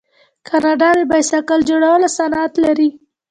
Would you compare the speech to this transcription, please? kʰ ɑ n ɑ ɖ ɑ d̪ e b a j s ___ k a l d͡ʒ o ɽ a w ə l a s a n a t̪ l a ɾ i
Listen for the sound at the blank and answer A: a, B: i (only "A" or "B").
A